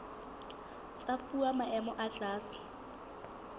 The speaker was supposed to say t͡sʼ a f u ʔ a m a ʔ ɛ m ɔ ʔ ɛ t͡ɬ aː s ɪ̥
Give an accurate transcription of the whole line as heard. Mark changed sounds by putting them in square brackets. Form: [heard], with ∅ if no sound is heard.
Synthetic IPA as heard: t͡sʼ a f u [∅] a m a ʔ ɛ m ɔ ʔ [a] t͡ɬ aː s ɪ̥